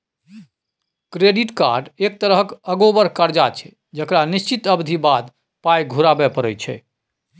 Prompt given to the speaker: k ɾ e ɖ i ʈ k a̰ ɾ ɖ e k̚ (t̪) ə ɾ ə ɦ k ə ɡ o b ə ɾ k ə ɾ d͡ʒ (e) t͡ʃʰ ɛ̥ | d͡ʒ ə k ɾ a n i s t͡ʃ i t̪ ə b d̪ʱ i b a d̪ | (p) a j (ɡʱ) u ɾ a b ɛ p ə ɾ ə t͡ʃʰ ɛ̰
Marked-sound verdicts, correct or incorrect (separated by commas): correct, incorrect, correct, correct